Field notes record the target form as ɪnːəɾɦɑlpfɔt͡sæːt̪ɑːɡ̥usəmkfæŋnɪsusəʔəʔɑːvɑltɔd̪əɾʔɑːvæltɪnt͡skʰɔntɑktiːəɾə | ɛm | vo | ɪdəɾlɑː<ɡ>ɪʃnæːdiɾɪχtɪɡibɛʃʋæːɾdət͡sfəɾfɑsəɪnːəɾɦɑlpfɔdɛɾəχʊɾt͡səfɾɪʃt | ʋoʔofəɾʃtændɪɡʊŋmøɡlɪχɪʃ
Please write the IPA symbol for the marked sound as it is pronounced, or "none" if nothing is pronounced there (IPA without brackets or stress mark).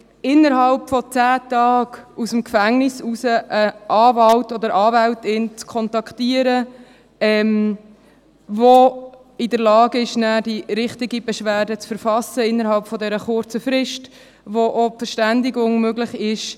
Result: ɡ